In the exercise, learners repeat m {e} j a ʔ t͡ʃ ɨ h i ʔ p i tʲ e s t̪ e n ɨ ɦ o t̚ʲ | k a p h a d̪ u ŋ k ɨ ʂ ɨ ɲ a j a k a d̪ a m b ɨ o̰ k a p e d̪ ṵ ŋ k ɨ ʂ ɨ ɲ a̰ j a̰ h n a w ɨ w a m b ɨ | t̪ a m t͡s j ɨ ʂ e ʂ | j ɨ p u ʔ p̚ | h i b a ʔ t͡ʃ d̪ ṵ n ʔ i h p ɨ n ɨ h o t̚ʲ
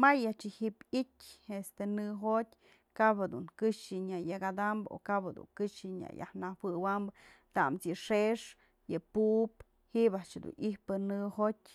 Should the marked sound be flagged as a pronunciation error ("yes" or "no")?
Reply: yes